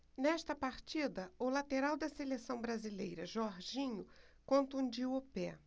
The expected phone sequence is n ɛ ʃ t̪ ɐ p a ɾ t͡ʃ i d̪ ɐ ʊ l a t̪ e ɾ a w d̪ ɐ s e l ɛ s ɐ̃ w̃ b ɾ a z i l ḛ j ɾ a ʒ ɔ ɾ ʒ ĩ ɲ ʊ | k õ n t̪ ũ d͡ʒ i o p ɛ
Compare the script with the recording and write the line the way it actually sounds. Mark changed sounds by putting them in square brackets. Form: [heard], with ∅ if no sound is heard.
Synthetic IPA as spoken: n ɛ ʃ t̪ ɐ p a ɾ t͡ʃ i d̪ ɐ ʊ l a t̪ e ɾ a w d̪ ɐ s e l [e] s ɐ̃ w̃ b ɾ a z i l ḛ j ɾ [ɐ] ʒ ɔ ɾ ʒ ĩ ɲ ʊ | k õ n t̪ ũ d͡ʒ i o p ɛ